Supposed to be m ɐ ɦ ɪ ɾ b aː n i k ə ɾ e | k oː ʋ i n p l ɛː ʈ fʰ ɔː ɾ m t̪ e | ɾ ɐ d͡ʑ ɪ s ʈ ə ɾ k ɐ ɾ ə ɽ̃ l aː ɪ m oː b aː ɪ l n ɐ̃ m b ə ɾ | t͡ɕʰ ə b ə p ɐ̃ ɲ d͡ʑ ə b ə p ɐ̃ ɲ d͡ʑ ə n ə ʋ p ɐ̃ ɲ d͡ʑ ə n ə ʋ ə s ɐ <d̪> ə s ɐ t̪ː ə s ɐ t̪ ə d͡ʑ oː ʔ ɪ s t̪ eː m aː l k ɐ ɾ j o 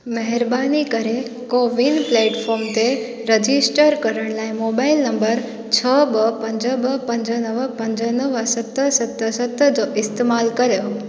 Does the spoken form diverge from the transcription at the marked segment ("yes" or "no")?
yes